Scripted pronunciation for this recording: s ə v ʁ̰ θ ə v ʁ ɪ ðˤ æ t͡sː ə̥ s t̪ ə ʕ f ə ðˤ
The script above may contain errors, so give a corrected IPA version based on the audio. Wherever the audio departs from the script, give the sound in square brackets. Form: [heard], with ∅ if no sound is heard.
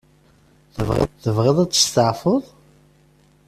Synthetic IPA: [θ] ə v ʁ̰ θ ə v ʁ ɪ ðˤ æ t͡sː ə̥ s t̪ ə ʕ f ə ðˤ